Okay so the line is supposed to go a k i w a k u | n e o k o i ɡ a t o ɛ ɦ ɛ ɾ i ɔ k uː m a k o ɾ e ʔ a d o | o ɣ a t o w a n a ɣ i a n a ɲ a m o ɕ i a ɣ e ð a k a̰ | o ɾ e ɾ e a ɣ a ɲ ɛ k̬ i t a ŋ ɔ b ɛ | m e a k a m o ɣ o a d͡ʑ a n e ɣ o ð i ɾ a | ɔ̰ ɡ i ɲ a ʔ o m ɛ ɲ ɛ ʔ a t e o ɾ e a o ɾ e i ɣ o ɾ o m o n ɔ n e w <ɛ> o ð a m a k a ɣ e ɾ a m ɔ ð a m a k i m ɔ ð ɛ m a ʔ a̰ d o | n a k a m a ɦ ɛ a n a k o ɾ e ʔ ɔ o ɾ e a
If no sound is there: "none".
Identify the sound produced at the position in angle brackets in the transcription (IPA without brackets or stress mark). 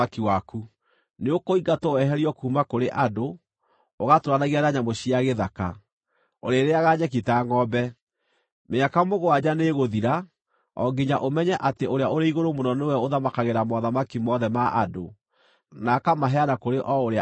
ɛ